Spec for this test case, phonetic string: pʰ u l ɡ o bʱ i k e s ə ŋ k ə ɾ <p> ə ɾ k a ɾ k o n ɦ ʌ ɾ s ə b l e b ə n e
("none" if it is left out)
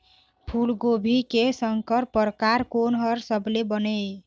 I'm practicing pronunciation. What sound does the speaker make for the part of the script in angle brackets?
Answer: p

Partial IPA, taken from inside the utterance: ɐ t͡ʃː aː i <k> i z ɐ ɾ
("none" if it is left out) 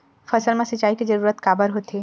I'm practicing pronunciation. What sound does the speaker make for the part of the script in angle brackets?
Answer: k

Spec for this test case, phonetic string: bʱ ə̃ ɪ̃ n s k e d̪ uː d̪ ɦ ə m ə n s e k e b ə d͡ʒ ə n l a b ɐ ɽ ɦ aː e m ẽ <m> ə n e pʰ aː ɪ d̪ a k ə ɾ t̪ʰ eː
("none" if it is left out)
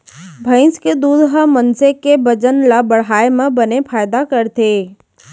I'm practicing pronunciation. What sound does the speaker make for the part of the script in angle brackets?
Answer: b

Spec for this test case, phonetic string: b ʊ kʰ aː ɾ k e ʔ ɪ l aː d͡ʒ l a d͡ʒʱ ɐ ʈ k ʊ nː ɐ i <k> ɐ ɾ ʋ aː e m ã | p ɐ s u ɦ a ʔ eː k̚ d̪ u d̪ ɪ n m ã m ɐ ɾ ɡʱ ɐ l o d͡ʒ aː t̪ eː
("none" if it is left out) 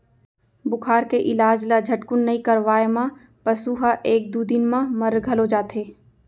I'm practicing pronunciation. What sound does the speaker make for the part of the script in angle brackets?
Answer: k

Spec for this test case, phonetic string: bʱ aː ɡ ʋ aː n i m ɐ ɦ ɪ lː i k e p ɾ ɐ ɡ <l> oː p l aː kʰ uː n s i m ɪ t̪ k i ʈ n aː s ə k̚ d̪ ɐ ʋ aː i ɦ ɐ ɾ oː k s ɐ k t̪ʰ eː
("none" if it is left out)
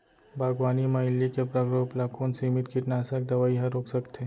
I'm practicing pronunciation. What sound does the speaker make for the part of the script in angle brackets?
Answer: ɾ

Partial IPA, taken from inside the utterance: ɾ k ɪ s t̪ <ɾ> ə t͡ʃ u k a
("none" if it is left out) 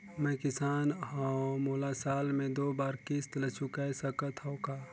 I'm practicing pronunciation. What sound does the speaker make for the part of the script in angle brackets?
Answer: l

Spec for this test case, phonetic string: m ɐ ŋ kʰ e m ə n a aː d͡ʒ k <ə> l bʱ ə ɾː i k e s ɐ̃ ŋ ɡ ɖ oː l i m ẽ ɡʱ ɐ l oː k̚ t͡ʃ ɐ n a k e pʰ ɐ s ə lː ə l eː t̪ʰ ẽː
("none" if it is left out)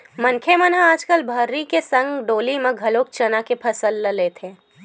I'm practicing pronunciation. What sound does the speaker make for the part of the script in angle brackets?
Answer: ə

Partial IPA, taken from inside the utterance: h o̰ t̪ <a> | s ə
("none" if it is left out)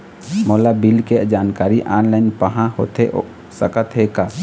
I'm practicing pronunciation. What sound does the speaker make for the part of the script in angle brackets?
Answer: e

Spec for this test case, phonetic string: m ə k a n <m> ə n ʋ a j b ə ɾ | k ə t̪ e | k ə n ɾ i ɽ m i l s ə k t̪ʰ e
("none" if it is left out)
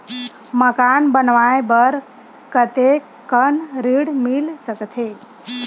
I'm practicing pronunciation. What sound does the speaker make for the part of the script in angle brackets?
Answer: b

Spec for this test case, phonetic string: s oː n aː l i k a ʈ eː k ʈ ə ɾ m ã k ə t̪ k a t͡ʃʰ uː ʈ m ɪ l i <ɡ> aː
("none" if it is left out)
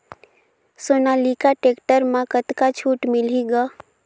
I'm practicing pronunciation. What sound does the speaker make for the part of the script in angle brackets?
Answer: ɡ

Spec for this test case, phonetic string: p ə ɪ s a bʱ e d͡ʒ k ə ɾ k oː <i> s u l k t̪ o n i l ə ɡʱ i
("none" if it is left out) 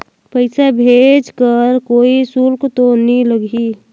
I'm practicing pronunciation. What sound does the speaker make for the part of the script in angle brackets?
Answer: i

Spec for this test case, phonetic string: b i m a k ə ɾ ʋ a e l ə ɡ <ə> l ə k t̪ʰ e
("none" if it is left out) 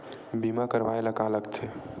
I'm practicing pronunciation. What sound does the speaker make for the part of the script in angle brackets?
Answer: a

